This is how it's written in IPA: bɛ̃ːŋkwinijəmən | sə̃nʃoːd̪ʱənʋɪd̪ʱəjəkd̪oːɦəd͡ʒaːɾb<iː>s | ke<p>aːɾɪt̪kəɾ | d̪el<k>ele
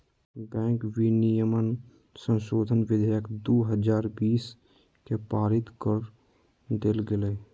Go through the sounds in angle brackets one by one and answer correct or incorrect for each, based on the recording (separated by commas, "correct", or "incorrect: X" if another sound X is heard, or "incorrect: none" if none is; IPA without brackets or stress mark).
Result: correct, correct, incorrect: ɡ